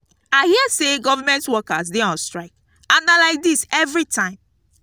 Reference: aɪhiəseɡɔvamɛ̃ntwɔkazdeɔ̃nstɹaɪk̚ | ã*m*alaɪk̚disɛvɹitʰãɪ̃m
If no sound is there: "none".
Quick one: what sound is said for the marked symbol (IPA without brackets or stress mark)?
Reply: n